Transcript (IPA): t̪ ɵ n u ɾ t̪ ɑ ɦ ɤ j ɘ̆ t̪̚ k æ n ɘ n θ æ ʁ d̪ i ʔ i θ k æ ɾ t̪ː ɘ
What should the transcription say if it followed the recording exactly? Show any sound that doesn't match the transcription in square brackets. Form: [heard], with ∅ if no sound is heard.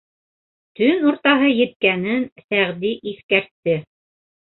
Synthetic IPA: t̪ ɵ n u ɾ t̪ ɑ ɦ ɤ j ɘ̆ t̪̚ k æ n ɘ n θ æ ʁ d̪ i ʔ i θ k æ ɾ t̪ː ɘ